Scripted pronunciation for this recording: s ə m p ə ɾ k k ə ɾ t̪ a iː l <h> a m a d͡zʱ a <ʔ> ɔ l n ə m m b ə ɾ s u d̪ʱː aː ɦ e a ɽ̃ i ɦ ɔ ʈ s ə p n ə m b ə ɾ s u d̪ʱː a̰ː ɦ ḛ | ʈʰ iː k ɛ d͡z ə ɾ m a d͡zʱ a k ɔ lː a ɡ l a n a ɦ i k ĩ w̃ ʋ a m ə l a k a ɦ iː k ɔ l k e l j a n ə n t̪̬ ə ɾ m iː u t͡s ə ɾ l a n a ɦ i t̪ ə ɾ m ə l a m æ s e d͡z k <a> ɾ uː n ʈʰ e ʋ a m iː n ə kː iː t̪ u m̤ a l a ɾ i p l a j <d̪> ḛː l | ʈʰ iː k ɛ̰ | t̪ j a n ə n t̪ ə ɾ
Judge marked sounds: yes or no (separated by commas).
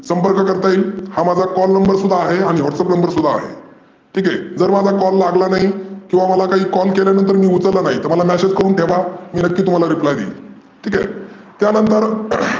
yes, no, no, yes